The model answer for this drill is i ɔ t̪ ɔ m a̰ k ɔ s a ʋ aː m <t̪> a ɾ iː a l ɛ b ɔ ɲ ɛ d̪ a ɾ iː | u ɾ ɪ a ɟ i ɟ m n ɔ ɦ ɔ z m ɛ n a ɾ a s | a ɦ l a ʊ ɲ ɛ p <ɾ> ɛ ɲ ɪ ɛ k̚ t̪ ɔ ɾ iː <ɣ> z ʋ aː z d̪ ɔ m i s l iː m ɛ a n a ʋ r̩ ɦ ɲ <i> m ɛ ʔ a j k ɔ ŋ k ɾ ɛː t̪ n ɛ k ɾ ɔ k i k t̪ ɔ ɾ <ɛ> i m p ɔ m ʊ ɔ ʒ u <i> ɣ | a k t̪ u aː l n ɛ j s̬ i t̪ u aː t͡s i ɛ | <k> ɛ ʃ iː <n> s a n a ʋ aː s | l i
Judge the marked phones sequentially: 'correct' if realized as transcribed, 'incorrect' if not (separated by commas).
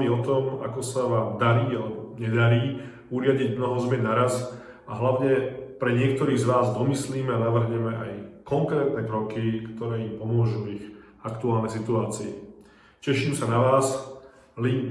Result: incorrect, correct, correct, incorrect, incorrect, correct, incorrect, incorrect